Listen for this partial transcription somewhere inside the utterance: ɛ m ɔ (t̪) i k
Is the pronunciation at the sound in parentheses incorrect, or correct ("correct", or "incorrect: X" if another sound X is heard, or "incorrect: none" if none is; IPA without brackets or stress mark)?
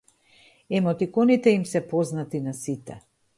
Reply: correct